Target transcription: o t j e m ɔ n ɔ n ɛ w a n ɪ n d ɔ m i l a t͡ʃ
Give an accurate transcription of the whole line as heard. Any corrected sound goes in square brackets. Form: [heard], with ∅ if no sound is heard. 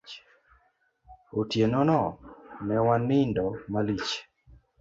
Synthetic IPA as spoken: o t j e [n] ɔ n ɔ n ɛ w a n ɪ n d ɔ m [a] l [i] t͡ʃ